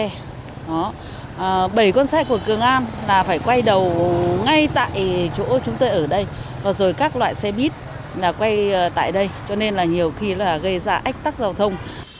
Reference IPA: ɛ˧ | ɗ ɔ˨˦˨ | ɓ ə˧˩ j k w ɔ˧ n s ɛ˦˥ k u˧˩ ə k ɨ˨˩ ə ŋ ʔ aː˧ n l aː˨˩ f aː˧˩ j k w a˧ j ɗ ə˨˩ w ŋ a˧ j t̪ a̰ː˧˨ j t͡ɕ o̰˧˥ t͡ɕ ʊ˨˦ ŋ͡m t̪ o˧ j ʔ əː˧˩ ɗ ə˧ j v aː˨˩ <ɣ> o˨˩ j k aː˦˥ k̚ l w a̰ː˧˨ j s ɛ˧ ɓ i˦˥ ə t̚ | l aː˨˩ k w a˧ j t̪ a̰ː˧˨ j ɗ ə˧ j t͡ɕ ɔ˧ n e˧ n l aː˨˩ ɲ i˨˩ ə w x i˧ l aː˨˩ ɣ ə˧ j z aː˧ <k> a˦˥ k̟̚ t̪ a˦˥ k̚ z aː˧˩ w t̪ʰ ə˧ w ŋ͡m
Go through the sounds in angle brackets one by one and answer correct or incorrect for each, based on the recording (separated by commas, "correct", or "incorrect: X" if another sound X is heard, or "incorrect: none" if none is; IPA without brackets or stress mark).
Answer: incorrect: z, incorrect: ʔ